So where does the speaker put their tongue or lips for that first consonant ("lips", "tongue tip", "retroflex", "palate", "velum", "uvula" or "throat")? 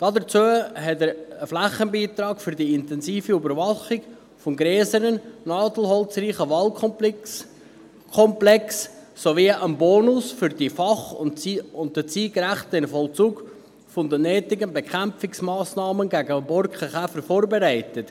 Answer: tongue tip